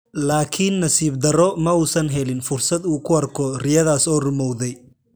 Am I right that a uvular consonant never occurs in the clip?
yes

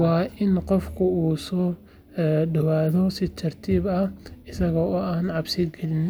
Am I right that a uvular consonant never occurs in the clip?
no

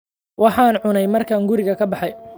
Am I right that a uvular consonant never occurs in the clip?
yes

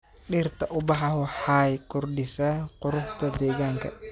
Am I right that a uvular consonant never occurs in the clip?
no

